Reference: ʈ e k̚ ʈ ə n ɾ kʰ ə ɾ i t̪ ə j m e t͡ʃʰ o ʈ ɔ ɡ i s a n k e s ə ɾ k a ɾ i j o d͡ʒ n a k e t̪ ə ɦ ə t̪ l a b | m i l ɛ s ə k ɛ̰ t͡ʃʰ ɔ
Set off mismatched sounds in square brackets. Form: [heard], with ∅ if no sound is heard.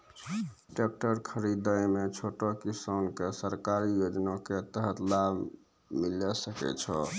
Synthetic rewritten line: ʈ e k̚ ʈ ə [∅] ɾ kʰ ə ɾ i [d̪] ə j m e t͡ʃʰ o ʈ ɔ [k] i s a n k e s ə ɾ k a ɾ i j o d͡ʒ n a k e t̪ ə ɦ ə t̪ l a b | m i l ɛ s ə k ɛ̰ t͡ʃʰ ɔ